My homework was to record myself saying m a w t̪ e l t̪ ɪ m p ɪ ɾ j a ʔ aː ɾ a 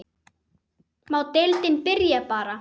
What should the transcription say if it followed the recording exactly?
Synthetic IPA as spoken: m a w t̪ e l t̪ ɪ n p ɪ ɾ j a p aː ɾ a